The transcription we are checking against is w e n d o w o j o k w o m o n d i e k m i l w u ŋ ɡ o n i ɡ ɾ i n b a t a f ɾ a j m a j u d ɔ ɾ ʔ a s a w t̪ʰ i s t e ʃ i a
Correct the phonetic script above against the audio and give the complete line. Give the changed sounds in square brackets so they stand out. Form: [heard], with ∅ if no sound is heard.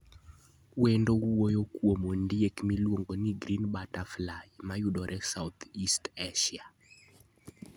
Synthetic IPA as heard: w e n d o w o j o k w o m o n d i e k m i l w [o] ŋ ɡ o n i ɡ ɾ i n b a t a f [l] a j m a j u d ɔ ɾ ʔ [ɛ] s a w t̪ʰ i s t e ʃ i a